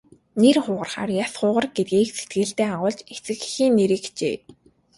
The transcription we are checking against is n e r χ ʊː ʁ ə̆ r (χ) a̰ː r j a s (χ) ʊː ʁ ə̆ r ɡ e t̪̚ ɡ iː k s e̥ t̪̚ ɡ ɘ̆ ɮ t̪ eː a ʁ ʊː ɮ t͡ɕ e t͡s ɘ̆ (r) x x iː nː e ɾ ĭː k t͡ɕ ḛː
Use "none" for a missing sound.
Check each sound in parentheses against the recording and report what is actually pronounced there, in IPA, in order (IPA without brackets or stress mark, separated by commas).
χ, χ, none